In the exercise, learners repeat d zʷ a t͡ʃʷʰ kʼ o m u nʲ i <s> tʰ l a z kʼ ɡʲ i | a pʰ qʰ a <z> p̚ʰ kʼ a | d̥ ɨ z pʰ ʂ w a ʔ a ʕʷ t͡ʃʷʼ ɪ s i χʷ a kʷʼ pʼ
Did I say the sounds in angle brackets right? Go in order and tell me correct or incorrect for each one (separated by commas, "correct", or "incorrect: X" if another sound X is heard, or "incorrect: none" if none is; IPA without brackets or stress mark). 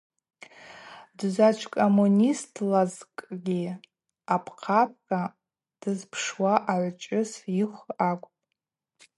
correct, incorrect: none